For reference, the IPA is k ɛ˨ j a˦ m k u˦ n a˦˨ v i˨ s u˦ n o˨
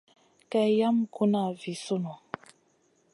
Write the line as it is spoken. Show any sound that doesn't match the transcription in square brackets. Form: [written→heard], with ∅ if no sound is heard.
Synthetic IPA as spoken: k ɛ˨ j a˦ m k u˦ n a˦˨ v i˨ s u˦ n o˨